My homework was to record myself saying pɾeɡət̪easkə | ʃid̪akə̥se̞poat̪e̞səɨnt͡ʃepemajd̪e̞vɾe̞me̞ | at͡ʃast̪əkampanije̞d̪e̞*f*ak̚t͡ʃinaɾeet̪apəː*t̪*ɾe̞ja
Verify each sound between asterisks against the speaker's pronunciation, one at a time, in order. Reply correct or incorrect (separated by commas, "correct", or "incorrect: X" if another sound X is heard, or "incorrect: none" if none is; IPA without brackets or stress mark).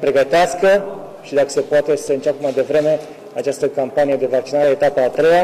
incorrect: v, correct